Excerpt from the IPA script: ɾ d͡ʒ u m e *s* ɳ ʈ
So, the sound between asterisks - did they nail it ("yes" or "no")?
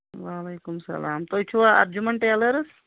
no